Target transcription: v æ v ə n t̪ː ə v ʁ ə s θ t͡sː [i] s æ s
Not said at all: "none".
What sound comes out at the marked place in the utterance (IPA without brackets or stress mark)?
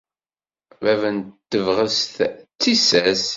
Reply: i